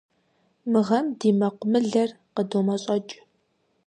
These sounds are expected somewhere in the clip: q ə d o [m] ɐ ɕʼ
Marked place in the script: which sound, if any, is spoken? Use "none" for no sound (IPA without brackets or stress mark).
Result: m